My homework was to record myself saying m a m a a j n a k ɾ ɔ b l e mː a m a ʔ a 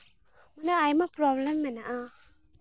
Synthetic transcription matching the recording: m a n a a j m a p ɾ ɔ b l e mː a n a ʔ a